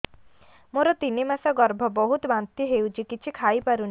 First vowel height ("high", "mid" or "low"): mid